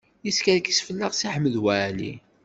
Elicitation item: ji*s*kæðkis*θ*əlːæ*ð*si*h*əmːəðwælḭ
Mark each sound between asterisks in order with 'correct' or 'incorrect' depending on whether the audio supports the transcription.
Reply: correct, incorrect, incorrect, incorrect

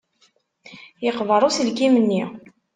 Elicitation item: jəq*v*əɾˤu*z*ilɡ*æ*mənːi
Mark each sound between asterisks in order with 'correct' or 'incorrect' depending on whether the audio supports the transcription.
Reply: correct, incorrect, incorrect

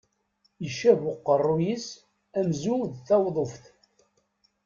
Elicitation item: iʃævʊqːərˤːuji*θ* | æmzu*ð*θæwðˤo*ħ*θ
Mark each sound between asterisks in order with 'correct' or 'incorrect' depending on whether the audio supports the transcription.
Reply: incorrect, correct, incorrect

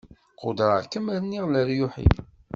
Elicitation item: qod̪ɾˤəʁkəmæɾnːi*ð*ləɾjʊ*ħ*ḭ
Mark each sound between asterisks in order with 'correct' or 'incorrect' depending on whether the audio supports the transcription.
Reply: incorrect, correct

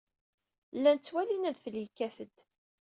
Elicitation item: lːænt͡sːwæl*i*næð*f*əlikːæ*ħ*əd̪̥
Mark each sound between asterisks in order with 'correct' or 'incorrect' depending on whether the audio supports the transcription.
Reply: correct, correct, incorrect

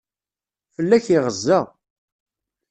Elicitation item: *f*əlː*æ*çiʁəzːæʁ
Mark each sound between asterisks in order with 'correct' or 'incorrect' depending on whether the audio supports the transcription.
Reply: correct, correct

